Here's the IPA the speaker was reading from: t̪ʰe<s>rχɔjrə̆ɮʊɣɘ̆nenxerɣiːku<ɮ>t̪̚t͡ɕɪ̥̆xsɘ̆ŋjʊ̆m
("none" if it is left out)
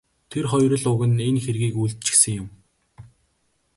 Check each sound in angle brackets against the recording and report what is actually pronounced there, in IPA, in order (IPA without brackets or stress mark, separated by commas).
none, ɮ